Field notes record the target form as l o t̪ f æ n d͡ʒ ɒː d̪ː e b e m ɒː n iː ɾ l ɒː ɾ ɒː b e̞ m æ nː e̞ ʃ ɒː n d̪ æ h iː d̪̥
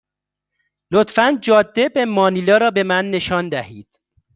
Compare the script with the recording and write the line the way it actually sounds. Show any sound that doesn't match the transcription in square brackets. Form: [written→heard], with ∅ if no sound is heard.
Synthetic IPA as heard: l o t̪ f æ n d͡ʒ ɒː d̪ː e b e m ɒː n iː [ɾ→∅] l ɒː ɾ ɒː b e̞ m æ nː e̞ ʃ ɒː n d̪ æ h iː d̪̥

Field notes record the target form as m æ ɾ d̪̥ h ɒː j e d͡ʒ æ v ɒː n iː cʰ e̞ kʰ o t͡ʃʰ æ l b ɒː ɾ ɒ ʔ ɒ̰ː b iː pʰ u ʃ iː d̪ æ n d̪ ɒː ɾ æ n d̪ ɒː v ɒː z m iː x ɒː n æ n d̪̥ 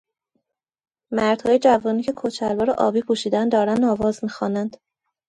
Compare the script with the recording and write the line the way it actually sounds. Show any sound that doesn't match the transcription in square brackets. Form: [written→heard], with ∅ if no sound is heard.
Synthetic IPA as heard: m æ ɾ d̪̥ h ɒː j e d͡ʒ æ v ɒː n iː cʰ e̞ kʰ o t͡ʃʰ æ l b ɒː ɾ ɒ ʔ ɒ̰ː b iː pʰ u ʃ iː d̪ æ n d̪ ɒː ɾ æ n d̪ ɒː v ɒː z m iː x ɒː n æ n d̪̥

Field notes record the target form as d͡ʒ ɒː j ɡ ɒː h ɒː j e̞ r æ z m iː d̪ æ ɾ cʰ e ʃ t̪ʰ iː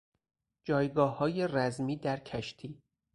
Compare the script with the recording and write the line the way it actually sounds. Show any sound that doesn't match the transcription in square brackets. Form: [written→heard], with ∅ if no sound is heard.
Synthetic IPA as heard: d͡ʒ ɒː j ɡ ɒː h ɒː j e̞ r æ z m iː d̪ æ ɾ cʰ [e→æ] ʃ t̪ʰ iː

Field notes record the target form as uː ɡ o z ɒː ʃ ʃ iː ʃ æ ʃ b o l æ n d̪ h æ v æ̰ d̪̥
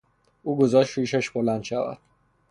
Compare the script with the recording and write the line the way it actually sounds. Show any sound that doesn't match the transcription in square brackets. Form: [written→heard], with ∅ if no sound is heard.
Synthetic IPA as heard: uː ɡ o z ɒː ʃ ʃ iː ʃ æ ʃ b o l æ n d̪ [h→ʃ] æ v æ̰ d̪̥

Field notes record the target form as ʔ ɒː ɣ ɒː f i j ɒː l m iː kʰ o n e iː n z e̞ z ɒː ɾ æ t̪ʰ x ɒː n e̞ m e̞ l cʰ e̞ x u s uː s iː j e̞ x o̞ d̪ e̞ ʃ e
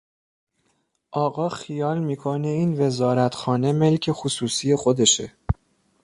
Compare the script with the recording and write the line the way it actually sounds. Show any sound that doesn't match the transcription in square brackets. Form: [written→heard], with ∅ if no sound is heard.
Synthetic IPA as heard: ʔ ɒː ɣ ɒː [f→x] i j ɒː l m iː kʰ o n e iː n [z→v] e̞ z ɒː ɾ æ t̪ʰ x ɒː n e̞ m e̞ l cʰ e̞ x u s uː s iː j e̞ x o̞ d̪ e̞ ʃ e

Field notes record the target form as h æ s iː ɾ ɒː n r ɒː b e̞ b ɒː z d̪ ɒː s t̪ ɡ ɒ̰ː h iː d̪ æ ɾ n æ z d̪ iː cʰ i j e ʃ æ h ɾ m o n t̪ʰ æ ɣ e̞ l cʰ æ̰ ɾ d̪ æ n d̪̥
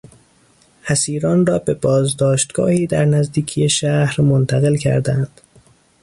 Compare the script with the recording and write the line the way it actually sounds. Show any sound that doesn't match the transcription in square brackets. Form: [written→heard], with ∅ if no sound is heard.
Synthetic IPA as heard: h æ s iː ɾ ɒː n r ɒː b e̞ b ɒː z d̪ ɒː [s→ʃ] t̪ ɡ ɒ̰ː h iː d̪ æ ɾ n æ z d̪ iː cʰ i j e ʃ æ h ɾ m o n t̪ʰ æ ɣ e̞ l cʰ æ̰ ɾ d̪ æ n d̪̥

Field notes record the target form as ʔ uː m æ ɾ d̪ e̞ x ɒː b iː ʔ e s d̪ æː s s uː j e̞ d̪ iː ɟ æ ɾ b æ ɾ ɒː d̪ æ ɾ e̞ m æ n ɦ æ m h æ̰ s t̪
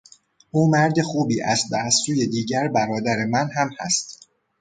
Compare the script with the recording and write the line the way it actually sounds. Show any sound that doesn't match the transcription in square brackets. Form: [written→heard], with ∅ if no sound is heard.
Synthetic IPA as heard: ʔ uː m æ ɾ d̪ e̞ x [ɒː→uː] b iː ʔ [e→æ] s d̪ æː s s uː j e̞ d̪ iː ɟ æ ɾ b æ ɾ ɒː d̪ æ ɾ e̞ m æ n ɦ æ m h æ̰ s t̪

